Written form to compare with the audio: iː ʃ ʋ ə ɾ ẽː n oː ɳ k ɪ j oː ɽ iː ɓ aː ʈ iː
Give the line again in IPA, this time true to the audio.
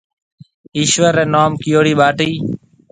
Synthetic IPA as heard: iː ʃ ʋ ə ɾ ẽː n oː m k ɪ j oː ɽ iː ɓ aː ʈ iː